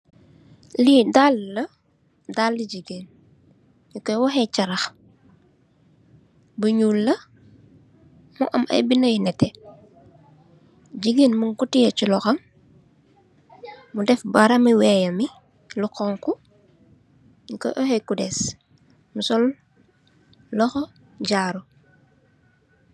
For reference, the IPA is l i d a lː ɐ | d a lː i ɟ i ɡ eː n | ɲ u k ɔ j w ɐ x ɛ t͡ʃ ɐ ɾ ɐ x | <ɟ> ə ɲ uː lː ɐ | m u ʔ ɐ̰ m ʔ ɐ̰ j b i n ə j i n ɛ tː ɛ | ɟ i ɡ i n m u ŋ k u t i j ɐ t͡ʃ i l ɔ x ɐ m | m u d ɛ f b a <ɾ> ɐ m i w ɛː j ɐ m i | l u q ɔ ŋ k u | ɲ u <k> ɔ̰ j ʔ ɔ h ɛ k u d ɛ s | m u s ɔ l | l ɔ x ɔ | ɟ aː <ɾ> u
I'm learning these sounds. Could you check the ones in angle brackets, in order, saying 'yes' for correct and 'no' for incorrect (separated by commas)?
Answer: no, yes, yes, yes